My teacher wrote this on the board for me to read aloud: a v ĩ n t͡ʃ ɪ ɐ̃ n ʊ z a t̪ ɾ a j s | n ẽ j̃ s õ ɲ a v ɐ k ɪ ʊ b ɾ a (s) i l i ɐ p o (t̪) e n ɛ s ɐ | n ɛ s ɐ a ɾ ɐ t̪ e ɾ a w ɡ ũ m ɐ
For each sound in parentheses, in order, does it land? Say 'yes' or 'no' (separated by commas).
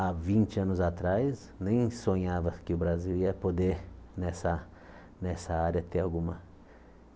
no, no